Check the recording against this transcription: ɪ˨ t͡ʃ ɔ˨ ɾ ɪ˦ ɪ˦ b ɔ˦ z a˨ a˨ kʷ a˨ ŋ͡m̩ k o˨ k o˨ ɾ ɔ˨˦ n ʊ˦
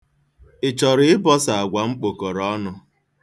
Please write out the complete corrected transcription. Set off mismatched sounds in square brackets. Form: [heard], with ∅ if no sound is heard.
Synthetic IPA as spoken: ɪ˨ t͡ʃ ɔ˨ ɾ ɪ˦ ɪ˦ b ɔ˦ [s] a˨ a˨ [ɡʷ] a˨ ŋ͡m̩ [k͡p] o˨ k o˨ ɾ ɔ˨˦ n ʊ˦